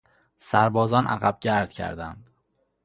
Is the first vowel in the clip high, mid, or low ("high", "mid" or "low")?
low